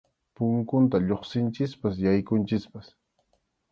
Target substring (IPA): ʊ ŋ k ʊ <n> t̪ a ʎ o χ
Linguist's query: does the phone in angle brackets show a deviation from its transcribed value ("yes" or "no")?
no